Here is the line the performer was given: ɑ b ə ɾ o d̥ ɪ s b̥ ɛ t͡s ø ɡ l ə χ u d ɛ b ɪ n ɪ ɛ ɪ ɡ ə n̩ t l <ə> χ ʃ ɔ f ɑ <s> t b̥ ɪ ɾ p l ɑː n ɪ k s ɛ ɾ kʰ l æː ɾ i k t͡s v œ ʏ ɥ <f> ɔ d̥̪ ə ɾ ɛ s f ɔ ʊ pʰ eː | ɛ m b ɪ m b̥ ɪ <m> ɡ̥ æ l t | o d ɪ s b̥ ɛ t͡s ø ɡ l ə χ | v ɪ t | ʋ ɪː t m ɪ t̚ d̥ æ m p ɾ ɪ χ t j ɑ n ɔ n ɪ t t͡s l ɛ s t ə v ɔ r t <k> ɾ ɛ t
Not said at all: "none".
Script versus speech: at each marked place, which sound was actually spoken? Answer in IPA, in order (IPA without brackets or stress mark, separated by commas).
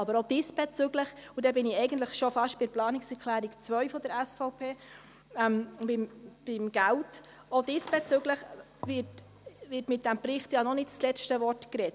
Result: ə, ʃ, f, m, k